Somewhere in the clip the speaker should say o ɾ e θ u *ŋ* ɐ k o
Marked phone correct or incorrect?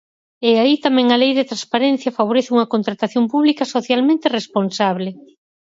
correct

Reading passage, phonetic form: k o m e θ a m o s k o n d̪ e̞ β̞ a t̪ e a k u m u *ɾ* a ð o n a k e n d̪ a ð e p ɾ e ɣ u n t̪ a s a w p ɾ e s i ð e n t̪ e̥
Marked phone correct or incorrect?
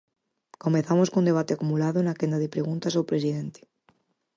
incorrect: l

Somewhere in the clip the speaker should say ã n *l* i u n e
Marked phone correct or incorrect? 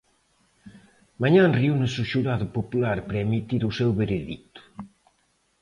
incorrect: r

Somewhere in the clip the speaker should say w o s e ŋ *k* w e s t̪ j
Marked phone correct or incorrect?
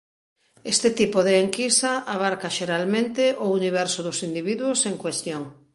correct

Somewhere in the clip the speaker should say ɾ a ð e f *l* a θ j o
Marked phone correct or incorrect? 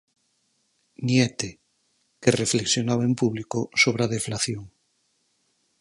correct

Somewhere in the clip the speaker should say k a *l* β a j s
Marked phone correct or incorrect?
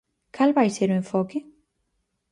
correct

